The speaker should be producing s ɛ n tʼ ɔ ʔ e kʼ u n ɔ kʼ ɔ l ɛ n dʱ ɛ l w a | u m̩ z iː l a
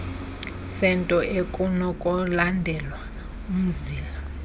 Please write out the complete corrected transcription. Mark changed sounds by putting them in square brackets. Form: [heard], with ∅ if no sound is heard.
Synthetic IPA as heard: s ɛ n tʼ ɔ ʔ e kʼ u n ɔ kʼ ɔ l [a] n dʱ ɛ l w a | u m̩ z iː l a